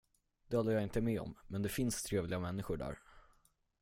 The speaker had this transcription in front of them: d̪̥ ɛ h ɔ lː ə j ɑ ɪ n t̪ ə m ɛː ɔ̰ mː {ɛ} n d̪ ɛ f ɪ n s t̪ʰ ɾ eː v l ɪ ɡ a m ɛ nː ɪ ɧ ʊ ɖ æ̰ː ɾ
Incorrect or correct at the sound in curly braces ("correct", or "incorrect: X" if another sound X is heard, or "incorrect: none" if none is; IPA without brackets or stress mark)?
correct